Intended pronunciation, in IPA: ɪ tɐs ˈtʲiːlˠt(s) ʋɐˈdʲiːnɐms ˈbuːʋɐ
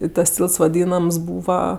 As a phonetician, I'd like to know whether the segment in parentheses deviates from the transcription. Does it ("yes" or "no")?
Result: no